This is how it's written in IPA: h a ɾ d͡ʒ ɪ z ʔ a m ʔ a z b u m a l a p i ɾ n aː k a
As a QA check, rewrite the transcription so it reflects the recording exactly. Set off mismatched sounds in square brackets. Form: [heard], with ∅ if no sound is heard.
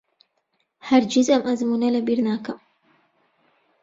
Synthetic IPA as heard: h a ɾ d͡ʒ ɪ z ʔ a m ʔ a z [m] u [n] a l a [b] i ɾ n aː k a